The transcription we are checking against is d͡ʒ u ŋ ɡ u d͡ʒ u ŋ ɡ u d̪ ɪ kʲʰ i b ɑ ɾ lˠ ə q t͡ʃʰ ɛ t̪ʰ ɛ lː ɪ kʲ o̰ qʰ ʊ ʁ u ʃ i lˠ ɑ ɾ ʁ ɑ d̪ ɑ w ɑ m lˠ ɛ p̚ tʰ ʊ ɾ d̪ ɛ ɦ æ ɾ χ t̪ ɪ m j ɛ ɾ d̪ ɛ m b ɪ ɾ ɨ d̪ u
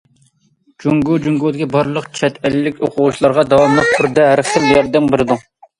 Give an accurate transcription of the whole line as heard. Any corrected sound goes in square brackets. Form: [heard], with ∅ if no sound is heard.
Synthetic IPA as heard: d͡ʒ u ŋ ɡ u d͡ʒ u ŋ ɡ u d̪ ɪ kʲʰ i b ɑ ɾ lˠ ə q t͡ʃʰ ɛ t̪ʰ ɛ lː ɪ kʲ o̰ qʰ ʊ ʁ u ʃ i lˠ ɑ ɾ ʁ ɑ d̪ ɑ w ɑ m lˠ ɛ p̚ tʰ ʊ ɾ d̪ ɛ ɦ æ ɾ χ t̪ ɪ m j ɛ ɾ d̪ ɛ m b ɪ ɾ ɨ d̪ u